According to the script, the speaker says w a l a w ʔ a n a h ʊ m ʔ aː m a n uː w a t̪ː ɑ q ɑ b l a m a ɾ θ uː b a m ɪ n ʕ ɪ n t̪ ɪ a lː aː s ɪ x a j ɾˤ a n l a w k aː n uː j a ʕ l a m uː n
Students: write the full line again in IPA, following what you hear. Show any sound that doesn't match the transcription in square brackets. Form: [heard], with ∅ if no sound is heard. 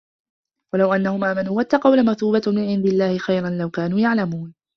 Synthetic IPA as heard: w a l a w ʔ a [nː] a h ʊ m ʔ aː m a n uː w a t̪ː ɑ q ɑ [w] l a m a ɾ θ uː b a m ɪ n ʕ ɪ n [d̪] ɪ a lː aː [h] ɪ x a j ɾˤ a n l a w k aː n uː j a ʕ l a m uː n